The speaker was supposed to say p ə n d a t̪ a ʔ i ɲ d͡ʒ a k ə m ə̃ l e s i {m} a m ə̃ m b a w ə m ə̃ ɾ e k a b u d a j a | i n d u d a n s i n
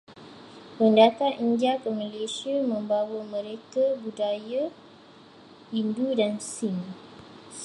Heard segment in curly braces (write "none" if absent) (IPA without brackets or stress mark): none